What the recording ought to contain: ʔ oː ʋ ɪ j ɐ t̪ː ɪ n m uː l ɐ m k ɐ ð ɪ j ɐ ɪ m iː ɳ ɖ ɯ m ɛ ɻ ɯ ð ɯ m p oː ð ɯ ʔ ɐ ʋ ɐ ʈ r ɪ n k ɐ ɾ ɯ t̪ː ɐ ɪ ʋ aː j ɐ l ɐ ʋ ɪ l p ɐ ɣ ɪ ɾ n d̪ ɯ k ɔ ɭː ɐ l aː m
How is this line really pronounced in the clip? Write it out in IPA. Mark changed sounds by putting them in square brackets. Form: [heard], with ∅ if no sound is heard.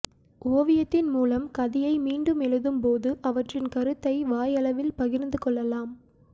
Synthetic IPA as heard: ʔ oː ʋ ɪ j ɐ t̪ː ɪ n m uː l ɐ m k ɐ ð ɪ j ɐ ɪ m iː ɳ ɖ ɯ m ɛ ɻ ɯ ð ɯ m p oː ð ɯ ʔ ɐ ʋ ɐ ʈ r ɪ n k ɐ ɾ ɯ t̪ː ɐ ɪ ʋ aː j ɐ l ɐ ʋ ɪ l p ɐ ɣ ɪ ɾ n d̪ ɯ k ɔ ɭː ɐ l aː m